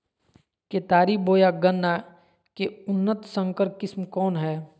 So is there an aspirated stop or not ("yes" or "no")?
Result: no